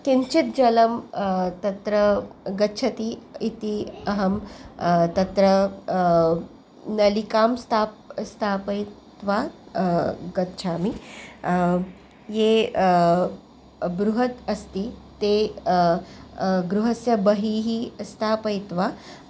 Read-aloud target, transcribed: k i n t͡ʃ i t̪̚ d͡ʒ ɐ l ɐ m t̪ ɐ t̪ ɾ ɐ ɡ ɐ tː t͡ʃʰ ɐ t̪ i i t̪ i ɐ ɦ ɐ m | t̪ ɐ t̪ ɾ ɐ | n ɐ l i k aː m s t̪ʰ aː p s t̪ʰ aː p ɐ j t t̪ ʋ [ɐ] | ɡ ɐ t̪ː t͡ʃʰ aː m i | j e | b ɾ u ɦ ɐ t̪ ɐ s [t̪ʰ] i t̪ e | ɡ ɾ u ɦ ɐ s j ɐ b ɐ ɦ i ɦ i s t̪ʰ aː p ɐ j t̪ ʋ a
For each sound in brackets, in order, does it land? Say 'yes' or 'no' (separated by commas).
no, no